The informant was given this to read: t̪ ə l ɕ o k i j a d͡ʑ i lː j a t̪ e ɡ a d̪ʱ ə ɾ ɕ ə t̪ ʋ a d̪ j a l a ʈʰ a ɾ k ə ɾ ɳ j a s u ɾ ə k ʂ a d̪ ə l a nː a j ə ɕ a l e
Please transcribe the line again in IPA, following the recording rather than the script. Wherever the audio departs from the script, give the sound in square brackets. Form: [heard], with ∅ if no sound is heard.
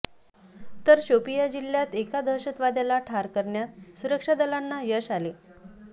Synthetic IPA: t̪ ə [ɾ] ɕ o [p] i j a d͡ʑ i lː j a t̪ e [k] a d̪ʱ ə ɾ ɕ ə t̪ ʋ a d̪ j a l a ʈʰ a ɾ k ə ɾ ɳ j a s u ɾ ə k ʂ a d̪ ə l a nː a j ə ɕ a l e